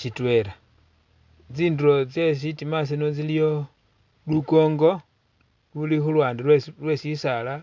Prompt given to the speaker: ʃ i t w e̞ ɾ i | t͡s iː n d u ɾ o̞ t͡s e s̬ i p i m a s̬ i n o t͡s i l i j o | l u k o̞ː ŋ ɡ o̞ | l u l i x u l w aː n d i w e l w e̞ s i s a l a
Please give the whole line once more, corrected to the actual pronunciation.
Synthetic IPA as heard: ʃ i t w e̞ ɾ a | t͡s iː n d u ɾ o̞ t͡s e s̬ i t i m a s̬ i n o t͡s i l i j o | l u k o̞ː ŋ ɡ o̞ | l u l i x u l w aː n d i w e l w e̞ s i s a l a